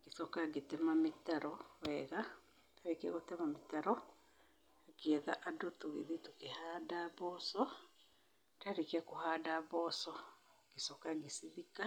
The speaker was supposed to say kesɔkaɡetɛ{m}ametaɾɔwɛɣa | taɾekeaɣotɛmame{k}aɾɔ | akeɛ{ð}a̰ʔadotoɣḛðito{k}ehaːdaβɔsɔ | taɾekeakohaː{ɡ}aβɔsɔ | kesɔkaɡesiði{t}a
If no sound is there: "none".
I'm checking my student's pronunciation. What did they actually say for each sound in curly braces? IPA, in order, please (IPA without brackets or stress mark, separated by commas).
m, t, ð, k, d, k